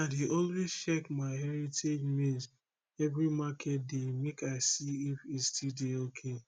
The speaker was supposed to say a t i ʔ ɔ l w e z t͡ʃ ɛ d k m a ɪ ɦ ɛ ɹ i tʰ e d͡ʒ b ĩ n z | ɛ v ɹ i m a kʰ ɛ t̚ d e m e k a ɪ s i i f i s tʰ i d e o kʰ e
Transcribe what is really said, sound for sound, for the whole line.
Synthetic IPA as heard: a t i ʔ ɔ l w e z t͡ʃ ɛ k m a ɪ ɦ ɛ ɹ i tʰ e d͡ʒ m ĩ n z | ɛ v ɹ i m a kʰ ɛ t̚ d e m e k a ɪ s i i f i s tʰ i d e o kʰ e